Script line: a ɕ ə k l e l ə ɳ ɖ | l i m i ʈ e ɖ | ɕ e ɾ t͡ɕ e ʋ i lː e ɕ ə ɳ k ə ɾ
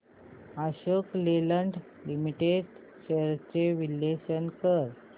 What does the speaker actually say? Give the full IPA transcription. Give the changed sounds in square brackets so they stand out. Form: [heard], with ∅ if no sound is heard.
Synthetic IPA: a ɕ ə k l e l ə ɳ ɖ | l i m i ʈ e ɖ | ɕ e ɾ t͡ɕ e ʋ i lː e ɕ ə [n] k ə ɾ

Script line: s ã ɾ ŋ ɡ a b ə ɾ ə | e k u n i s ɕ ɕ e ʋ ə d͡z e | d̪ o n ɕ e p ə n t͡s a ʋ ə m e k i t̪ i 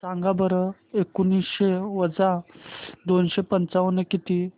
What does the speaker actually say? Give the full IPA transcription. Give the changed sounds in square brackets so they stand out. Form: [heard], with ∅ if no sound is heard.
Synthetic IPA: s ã [∅] ŋ ɡ a b ə ɾ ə | e k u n i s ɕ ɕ e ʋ ə d͡z [a] | d̪ o n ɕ e p ə n t͡s a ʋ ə [n] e k i t̪ i

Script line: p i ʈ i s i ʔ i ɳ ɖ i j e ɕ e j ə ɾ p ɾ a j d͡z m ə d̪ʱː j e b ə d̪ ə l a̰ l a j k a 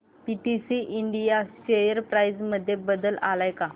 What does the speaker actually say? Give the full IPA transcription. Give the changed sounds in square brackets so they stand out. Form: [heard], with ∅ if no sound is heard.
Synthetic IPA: p i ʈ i s i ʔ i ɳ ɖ i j [a] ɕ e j ə ɾ p ɾ a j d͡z m ə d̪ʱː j e b ə d̪ ə l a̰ l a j k a

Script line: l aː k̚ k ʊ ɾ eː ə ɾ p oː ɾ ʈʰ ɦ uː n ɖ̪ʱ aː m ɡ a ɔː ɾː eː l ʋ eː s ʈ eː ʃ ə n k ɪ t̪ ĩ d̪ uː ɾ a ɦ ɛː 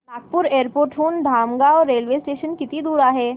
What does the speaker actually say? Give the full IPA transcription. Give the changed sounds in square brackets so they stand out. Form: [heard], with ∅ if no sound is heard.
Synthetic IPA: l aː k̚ [p] ʊ ɾ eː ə ɾ p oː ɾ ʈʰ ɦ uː n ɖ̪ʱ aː m ɡ a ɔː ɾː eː l ʋ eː s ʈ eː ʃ ə n k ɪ t̪ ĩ d̪ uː ɾ a ɦ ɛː

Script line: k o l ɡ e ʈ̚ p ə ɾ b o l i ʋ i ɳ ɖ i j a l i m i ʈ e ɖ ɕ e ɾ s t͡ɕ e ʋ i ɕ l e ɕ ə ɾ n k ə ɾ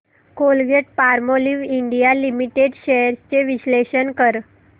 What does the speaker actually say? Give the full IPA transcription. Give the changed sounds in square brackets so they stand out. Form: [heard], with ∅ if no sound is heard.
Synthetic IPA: k o l ɡ e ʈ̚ p [a] ɾ [m] o l i ʋ i ɳ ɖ i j a l i m i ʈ e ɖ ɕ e ɾ s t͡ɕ e ʋ i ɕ l e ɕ ə [∅] n k ə ɾ

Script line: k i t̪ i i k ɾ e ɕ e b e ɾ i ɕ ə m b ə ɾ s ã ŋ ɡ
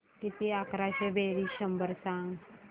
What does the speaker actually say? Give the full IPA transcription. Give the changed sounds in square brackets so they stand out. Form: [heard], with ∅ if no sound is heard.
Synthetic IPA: k i t̪ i [a] k ɾ [a] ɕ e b e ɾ i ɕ ə m b ə ɾ s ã ŋ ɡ

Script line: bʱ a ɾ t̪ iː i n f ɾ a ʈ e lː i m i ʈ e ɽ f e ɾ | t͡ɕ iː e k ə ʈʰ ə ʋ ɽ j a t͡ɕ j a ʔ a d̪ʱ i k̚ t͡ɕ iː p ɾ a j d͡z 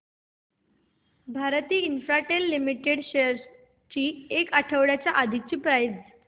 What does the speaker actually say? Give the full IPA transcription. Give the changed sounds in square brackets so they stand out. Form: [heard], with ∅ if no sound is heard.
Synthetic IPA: bʱ a ɾ t̪ iː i n f ɾ a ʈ e lː i m i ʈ e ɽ [ɕ] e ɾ | t͡ɕ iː e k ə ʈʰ ə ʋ ɽ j a t͡ɕ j a ʔ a d̪ʱ i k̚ t͡ɕ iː p ɾ a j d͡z

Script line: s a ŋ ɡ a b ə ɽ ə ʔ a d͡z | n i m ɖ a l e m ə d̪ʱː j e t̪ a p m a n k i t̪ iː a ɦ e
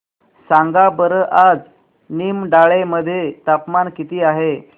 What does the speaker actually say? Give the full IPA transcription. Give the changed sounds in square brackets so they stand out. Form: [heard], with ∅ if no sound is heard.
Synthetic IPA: s a ŋ ɡ a b ə [ɾ] ə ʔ a d͡z | n i m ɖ a [ɭ] e m ə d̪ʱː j e t̪ a p m a n k i t̪ iː a ɦ e

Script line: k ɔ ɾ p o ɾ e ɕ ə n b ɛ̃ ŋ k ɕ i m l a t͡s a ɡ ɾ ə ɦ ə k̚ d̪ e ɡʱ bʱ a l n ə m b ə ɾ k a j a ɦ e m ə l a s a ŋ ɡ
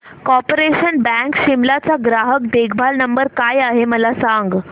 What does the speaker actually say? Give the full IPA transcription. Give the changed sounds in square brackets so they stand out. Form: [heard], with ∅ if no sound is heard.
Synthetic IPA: k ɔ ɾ p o ɾ e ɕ ə n b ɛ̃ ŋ k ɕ i m l a t͡s a ɡ ɾ [a] ɦ ə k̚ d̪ e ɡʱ bʱ a l n ə m b ə ɾ k a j a ɦ e m ə l a s a ŋ ɡ

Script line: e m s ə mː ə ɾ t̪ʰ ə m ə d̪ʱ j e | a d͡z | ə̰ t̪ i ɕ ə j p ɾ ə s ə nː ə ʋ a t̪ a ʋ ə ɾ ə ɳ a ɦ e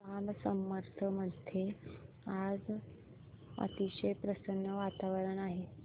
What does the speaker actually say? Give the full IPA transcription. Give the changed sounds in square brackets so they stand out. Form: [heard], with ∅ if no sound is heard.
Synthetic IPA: [a] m s ə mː ə ɾ t̪ʰ ə m ə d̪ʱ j e | a d͡z | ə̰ t̪ i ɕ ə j p ɾ ə s ə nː ə ʋ a t̪ a ʋ ə ɾ ə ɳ a ɦ e

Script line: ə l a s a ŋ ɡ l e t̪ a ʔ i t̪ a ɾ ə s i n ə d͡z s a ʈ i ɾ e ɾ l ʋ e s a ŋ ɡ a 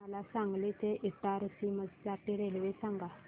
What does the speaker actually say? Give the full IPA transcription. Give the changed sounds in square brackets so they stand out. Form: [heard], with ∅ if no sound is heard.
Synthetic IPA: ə l a s a ŋ ɡ l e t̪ [e] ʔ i t̪ a ɾ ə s i [m] ə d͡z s a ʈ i ɾ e [∅] l ʋ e s a ŋ ɡ a

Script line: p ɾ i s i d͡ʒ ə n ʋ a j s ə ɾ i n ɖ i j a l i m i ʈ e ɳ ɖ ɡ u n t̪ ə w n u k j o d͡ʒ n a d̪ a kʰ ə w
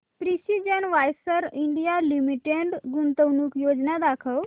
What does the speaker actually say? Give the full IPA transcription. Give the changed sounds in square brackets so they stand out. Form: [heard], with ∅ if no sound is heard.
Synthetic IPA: p ɾ i s i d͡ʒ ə n ʋ a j s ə ɾ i [ɳ] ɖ i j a l i m i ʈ e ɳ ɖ ɡ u n t̪ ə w n u k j o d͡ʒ n a d̪ a kʰ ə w

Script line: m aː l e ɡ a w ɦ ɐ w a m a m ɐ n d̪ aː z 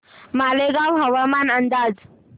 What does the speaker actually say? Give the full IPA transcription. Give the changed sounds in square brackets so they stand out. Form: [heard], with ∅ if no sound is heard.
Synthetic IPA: m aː l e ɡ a w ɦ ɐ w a m a [n] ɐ n d̪ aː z

